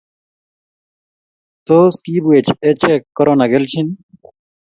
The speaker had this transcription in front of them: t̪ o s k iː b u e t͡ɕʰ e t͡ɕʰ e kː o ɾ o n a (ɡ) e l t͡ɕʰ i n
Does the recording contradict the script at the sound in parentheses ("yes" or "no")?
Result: no